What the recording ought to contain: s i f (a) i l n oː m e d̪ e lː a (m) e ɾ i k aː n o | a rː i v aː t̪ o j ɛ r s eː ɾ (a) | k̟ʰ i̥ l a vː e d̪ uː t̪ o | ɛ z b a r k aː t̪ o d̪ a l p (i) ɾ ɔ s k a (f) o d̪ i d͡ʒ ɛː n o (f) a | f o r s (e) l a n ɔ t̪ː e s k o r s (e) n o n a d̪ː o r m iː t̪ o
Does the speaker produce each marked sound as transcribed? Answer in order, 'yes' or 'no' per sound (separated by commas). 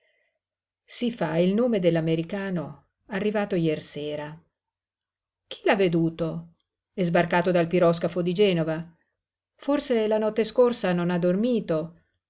yes, yes, yes, yes, yes, no, yes, no